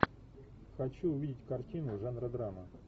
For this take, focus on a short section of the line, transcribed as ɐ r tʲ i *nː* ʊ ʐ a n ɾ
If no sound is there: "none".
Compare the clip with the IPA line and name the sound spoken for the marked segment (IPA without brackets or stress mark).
n